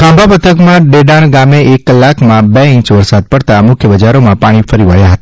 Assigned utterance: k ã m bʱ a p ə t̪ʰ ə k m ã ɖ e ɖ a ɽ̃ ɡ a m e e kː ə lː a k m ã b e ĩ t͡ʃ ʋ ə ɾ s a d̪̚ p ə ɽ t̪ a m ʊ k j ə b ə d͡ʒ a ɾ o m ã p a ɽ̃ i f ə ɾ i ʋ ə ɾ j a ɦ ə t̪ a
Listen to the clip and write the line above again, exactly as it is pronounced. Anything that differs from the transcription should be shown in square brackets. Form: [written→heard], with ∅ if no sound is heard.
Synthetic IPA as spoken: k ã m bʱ a p ə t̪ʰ ə k m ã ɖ e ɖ a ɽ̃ ɡ a m e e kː ə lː a k m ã b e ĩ t͡ʃ ʋ ə ɾ s a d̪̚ p ə ɽ t̪ a m ʊ [k→kʰ] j ə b ə d͡ʒ a ɾ o m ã p a ɽ̃ i f ə ɾ i ʋ ə [ɾ→ɭ] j a ɦ ə t̪ a